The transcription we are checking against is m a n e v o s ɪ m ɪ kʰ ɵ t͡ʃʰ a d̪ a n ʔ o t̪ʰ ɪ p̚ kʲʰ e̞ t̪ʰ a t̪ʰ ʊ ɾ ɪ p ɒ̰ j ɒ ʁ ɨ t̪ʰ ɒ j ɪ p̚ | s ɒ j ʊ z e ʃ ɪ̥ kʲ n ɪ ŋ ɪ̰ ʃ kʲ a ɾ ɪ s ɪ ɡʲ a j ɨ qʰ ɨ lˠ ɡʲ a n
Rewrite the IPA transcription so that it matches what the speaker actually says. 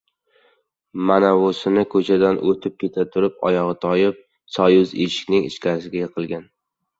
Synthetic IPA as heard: m a n a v o s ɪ n ɪ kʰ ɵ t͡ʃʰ a d̪ a n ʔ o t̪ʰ ɪ p̚ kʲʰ e̞ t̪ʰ a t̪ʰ ʊ ɾ ɪ p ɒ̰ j ɒ ʁ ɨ t̪ʰ ɒ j ɪ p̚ | s ɒ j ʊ z e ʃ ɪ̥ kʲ n ɪ ŋ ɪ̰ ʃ kʲ a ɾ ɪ s ɪ ɡʲ a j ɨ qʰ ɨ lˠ ɡʲ a n